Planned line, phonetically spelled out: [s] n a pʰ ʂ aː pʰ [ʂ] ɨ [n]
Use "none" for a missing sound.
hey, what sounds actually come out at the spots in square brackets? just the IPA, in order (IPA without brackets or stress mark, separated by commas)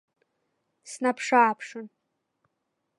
s, ʂ, n